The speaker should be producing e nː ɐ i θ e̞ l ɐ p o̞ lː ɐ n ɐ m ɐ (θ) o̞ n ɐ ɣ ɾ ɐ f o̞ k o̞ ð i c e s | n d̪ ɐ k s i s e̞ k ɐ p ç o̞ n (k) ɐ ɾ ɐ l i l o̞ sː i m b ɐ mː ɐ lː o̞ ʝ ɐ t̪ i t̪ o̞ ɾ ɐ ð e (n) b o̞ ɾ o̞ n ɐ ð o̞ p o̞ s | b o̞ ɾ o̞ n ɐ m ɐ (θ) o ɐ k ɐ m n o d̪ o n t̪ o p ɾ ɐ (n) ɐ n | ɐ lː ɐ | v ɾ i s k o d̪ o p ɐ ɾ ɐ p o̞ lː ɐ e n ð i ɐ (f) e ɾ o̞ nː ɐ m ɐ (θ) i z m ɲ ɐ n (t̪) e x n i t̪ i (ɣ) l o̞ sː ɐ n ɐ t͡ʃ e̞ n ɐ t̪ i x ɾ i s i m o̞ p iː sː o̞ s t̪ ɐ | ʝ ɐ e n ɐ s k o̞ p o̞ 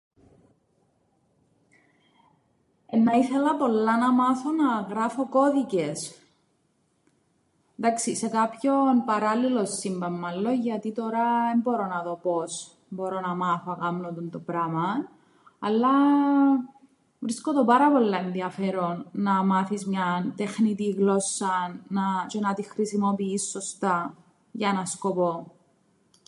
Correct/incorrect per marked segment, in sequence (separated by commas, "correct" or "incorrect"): correct, incorrect, incorrect, correct, incorrect, correct, correct, correct, correct